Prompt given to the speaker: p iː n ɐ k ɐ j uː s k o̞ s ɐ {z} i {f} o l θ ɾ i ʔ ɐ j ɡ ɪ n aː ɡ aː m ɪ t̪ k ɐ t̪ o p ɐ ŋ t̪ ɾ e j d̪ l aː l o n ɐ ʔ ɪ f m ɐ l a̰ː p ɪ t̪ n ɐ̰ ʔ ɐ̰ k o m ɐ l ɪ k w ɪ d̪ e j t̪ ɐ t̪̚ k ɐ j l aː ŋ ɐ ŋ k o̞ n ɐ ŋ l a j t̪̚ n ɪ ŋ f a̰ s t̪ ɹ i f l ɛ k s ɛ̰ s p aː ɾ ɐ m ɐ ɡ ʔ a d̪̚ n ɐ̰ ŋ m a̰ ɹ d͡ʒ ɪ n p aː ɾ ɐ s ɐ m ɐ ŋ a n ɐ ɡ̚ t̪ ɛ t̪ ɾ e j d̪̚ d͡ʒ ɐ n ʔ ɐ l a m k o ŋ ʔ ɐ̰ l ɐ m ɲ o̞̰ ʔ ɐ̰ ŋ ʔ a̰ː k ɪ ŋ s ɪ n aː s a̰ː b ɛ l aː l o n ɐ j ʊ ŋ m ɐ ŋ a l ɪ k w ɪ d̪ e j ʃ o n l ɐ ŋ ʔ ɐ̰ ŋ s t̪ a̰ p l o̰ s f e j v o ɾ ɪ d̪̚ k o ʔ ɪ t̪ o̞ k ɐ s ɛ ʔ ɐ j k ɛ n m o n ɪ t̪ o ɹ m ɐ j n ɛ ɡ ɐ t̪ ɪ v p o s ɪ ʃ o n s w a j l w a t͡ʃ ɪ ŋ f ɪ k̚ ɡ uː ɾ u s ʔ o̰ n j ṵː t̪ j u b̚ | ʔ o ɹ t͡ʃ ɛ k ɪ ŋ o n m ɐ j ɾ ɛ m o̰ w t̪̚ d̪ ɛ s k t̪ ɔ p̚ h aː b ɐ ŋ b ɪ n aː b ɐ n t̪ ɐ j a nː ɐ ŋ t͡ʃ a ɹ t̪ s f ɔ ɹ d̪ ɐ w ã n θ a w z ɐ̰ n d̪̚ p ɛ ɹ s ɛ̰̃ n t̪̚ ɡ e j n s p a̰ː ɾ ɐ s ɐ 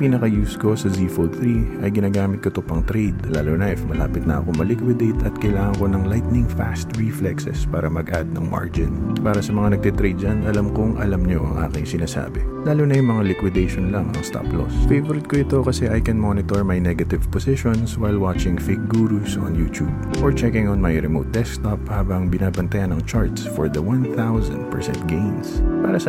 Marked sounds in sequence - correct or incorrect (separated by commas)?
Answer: correct, correct